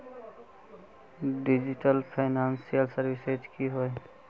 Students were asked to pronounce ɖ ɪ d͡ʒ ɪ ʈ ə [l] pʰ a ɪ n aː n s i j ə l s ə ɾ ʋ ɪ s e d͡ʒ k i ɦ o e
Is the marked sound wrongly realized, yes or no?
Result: no